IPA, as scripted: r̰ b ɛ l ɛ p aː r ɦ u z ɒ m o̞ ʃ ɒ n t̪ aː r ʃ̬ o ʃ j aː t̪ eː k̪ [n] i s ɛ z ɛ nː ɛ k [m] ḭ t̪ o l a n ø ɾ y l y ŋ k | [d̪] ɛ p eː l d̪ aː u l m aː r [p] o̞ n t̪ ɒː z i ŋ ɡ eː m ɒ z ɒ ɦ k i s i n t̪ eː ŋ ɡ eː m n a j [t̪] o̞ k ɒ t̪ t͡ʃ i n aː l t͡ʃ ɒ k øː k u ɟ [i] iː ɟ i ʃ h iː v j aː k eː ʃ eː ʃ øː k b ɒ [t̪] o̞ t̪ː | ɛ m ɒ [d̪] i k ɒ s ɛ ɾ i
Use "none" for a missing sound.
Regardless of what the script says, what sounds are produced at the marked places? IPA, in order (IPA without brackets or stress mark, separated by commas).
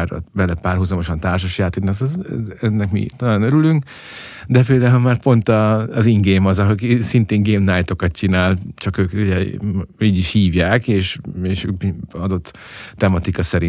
n, m, d̪, p, t̪, ɛ, d̪, t̪